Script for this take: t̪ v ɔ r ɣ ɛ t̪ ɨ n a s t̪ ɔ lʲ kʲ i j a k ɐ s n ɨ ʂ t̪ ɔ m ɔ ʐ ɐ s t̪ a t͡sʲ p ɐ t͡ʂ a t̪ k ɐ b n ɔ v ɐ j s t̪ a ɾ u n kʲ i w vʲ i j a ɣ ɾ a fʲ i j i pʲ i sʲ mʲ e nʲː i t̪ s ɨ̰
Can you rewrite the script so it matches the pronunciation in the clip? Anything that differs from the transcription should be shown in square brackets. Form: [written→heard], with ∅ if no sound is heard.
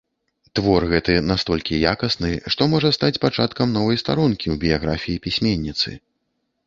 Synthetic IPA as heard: t̪ v ɔ r ɣ ɛ t̪ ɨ n a s t̪ ɔ lʲ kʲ i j a k ɐ s n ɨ ʂ t̪ ɔ m ɔ ʐ ɐ s t̪ a t͡sʲ p [ɐ→a] t͡ʂ a t̪ k ɐ [b→m] n ɔ v ɐ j s t̪ a ɾ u n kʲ i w [vʲ→bʲ] i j a ɣ ɾ a fʲ i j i pʲ i sʲ mʲ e nʲː i t̪ s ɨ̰